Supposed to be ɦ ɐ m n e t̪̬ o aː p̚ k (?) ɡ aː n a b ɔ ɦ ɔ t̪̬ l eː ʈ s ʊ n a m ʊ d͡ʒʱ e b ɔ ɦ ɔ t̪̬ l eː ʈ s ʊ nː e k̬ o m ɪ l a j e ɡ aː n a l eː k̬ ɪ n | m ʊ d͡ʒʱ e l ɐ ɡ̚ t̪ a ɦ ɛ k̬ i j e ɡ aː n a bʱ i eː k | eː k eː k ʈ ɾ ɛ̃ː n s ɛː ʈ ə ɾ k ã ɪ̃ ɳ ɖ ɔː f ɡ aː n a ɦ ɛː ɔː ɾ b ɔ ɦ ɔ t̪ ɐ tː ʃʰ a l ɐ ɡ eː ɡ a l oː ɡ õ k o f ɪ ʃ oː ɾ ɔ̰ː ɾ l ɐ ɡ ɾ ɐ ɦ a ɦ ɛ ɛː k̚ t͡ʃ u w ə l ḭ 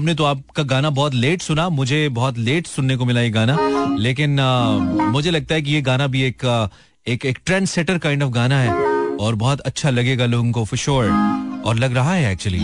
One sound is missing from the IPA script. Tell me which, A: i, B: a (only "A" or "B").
B